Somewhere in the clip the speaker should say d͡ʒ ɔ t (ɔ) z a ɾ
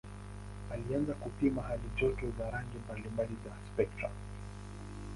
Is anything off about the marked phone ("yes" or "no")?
no